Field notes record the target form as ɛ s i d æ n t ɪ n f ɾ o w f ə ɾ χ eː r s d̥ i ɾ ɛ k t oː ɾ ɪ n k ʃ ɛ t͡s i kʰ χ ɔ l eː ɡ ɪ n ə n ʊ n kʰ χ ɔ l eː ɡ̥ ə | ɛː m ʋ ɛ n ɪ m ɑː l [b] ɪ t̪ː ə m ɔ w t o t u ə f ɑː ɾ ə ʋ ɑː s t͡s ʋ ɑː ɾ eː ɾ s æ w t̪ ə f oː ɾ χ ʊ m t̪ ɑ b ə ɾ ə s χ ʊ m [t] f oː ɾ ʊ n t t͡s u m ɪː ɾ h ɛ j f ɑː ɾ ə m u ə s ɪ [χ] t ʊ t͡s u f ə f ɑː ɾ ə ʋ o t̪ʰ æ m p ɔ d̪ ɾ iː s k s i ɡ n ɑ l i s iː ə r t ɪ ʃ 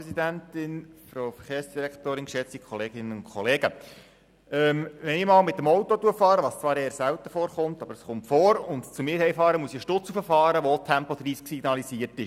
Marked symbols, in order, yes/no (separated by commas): no, yes, no